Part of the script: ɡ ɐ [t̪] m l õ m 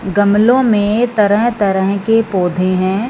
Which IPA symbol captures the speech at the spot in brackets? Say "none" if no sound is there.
none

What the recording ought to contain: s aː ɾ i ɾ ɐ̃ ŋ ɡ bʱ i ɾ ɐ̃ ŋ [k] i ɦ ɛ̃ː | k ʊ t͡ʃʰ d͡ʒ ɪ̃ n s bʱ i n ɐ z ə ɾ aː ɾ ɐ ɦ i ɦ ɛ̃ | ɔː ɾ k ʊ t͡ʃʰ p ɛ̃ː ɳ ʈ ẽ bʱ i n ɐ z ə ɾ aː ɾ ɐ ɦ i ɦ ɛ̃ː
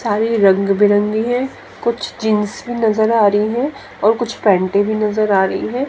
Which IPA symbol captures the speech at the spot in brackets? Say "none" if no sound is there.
ɡ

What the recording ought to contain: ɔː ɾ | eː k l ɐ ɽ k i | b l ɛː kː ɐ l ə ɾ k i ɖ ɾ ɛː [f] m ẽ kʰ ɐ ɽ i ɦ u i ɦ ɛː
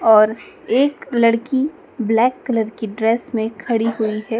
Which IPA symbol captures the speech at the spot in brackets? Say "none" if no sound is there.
s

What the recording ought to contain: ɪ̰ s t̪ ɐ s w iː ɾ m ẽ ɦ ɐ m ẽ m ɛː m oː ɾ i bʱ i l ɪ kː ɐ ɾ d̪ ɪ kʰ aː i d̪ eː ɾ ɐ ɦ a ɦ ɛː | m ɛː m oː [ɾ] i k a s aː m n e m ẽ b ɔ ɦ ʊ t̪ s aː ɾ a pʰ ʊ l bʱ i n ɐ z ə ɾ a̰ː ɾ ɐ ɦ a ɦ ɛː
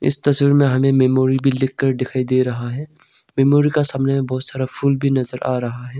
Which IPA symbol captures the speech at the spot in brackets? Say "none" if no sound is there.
ɾ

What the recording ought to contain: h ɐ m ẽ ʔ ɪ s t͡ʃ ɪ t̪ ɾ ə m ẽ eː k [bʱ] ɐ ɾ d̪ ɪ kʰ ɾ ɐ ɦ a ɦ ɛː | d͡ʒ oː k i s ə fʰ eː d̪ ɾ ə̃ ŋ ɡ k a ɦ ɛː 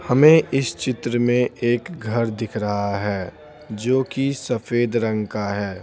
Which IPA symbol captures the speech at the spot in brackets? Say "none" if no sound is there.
ɡʱ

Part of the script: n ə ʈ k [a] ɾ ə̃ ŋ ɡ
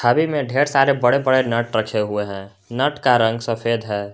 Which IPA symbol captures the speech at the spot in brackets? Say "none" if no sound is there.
a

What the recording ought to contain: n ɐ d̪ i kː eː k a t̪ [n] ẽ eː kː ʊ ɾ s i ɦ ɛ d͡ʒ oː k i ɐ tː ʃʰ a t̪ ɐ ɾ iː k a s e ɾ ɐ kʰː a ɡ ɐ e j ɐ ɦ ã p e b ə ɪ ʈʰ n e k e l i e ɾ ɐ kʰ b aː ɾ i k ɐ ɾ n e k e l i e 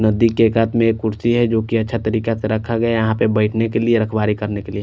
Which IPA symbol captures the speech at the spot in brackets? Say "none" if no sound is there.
m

